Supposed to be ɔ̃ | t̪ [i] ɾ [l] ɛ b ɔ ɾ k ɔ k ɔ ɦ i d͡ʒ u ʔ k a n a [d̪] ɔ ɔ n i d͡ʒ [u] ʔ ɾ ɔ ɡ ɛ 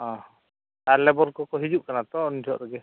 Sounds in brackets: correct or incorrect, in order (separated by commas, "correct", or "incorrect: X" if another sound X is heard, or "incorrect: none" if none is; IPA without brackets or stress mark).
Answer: incorrect: a, correct, incorrect: t̪, incorrect: ɔ